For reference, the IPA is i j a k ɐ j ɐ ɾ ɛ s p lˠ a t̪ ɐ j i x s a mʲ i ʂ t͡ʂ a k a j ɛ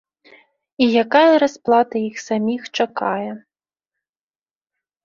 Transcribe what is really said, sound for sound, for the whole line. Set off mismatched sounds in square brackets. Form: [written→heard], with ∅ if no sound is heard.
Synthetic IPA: i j a k [ɐ→a] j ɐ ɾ [ɛ→a] s p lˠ a t̪ ɐ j i x s a mʲ i [ʂ→x] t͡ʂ a k a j ɛ